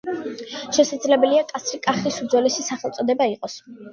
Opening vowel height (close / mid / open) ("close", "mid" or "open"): mid